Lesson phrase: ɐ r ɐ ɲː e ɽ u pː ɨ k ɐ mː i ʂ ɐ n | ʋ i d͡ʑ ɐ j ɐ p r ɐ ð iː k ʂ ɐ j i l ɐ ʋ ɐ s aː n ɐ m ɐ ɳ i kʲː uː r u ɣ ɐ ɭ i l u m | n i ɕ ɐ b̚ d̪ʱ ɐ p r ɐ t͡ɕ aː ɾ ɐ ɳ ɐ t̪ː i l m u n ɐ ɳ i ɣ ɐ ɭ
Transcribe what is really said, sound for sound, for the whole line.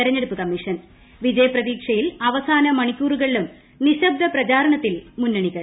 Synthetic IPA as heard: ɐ ɾ ɐ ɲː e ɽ u pː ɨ k ɐ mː i ʂ ɐ n | ʋ i d͡ʑ ɐ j ɐ p r ɐ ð iː k ʂ ɐ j i l ɐ ʋ ɐ s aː n ɐ m ɐ ɳ i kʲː uː r u ɣ ɐ ɭ i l u m | n i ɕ ɐ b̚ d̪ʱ ɐ p r ɐ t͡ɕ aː ɾ ɐ ɳ ɐ t̪ː i l m u nː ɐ ɳ i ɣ ɐ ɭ